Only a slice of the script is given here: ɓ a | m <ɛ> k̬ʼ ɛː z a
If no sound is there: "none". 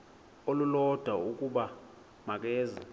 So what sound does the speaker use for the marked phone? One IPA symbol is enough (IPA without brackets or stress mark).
a